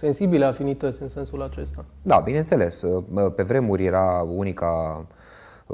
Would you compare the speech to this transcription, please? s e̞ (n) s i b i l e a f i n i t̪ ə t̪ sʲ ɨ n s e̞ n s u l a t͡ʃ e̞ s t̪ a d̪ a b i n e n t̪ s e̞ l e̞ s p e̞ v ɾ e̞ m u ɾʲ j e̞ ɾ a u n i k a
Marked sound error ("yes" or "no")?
no